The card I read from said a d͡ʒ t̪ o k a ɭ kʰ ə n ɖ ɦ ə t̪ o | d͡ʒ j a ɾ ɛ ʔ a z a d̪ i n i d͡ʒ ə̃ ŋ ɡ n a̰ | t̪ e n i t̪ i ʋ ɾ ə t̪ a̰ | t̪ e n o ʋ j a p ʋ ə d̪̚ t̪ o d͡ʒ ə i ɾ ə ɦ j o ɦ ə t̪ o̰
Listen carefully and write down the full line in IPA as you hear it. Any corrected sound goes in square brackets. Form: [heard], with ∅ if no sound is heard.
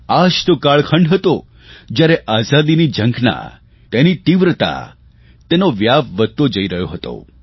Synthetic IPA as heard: a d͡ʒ t̪ o k a ɭ kʰ ə [ɳ] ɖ ɦ ə t̪ o | d͡ʒ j a ɾ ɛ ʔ a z a d̪ i n i d͡ʒ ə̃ ŋ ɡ n a̰ | t̪ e n i t̪ i ʋ ɾ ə t̪ a̰ | t̪ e n o ʋ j a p ʋ ə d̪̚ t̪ o d͡ʒ ə i ɾ ə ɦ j o ɦ ə t̪ o̰

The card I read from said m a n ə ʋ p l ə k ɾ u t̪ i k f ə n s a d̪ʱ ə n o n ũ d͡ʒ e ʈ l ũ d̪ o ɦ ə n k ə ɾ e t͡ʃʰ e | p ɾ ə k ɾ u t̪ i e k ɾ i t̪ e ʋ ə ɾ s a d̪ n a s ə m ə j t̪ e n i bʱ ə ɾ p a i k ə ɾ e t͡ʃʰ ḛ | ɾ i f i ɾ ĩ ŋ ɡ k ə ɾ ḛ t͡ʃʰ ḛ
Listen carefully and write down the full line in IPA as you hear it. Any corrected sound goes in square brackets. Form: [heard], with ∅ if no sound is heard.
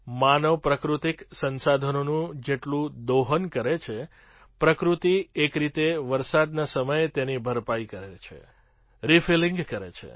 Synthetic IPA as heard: m a n ə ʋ p [ɾ] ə k ɾ u t̪ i k [s] ə n s a d̪ʱ ə n o n ũ d͡ʒ e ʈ l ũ d̪ o ɦ ə n k ə ɾ e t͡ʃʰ e | p ɾ ə k ɾ u t̪ i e k ɾ i t̪ e ʋ ə ɾ s a d̪ n a s ə m ə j t̪ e n i bʱ ə ɾ p a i k ə ɾ e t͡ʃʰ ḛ | ɾ i f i [l] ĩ ŋ ɡ k ə ɾ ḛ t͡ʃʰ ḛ

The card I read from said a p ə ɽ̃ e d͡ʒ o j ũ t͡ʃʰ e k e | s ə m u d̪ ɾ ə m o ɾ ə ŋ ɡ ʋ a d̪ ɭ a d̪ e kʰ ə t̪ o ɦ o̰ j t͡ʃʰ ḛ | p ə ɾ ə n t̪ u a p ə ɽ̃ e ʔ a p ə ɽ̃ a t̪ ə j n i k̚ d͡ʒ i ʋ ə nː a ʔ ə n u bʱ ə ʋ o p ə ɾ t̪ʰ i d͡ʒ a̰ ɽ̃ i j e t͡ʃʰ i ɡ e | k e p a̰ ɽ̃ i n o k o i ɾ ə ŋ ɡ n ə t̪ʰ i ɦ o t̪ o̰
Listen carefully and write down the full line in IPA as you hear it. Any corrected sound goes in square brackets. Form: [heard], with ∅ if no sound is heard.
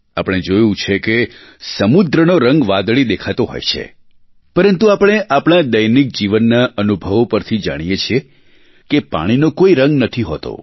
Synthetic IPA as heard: a p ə ɽ̃ e d͡ʒ o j ũ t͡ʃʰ e k e | s ə m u d̪ ɾ ə [n] o ɾ ə ŋ ɡ ʋ a d̪ ɭ [i] d̪ e kʰ [a] t̪ o ɦ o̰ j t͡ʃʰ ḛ | p ə ɾ ə n t̪ u a p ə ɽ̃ e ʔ a p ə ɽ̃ a [d̪] ə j n i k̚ d͡ʒ i ʋ ə nː a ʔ ə n u bʱ ə ʋ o p ə ɾ t̪ʰ i d͡ʒ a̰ ɽ̃ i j e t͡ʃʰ i [∅] e | k e p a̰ ɽ̃ i n o k o i ɾ ə ŋ ɡ n ə t̪ʰ i ɦ o t̪ o̰

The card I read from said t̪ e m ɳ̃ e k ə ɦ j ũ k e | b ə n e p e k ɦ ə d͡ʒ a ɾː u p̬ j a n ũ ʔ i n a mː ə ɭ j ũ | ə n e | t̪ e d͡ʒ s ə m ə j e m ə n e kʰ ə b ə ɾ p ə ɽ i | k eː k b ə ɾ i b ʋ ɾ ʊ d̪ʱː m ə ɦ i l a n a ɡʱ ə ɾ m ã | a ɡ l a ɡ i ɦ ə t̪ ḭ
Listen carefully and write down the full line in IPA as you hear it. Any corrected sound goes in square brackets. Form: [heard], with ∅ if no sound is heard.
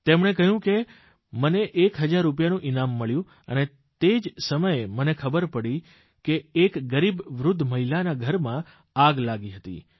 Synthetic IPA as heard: t̪ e m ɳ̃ e k ə ɦ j ũ k e | [m] ə n e [ʔ] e k ɦ ə d͡ʒ a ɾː u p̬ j a n ũ ʔ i n a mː ə ɭ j ũ | ə n e | t̪ e d͡ʒ s ə m ə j e m ə n e kʰ ə b ə ɾ p ə ɽ i | k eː k [ɡ] ə ɾ i b ʋ ɾ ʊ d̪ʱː m ə ɦ i l a n a ɡʱ ə ɾ m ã | a ɡ l a ɡ i ɦ ə t̪ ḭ

